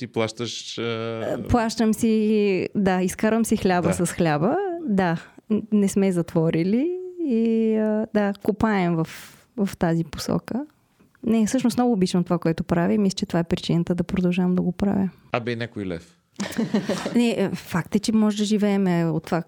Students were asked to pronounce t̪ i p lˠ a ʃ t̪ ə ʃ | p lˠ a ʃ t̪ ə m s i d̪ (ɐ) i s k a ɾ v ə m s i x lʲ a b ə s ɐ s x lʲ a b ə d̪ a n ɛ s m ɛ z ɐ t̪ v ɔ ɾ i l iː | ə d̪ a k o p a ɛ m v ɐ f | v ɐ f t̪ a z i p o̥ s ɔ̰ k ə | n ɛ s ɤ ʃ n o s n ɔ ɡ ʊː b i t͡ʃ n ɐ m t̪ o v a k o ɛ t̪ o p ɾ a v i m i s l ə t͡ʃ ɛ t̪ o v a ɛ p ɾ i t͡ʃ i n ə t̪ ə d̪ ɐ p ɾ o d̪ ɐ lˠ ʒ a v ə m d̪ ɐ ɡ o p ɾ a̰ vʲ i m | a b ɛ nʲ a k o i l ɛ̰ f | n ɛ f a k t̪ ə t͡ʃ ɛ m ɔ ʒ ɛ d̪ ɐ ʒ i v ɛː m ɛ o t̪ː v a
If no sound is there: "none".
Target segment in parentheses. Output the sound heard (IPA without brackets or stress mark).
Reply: a